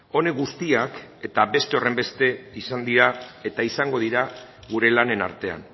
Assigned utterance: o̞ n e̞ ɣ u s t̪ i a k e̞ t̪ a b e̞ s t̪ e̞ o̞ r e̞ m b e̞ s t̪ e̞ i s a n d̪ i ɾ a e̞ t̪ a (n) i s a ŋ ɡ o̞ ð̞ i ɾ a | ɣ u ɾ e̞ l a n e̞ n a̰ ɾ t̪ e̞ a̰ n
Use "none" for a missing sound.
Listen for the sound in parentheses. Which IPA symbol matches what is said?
none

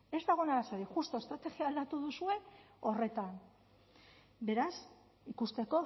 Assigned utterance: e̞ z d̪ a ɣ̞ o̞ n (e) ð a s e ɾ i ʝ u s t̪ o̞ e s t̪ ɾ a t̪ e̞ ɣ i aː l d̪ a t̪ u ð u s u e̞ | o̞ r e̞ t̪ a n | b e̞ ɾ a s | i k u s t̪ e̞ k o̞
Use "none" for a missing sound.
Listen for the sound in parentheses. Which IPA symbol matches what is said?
a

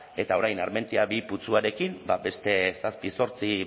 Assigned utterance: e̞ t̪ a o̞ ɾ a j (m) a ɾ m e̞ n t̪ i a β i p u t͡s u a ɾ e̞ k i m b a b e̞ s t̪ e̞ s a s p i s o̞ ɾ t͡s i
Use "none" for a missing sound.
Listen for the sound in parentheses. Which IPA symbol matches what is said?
n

